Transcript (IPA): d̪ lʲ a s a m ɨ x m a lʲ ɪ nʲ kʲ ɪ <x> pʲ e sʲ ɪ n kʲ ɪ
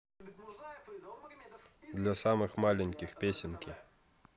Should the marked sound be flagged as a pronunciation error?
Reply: no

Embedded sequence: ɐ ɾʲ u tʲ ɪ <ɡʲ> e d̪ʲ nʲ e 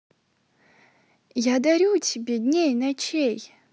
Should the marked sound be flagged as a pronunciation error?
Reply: yes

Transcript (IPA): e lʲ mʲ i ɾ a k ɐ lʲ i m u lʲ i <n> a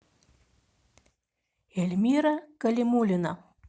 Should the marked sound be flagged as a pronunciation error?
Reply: no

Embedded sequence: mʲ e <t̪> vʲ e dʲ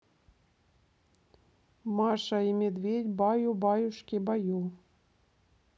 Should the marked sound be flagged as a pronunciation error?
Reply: yes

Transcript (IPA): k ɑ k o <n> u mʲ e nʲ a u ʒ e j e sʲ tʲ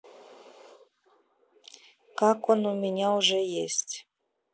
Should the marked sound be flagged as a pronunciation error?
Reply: no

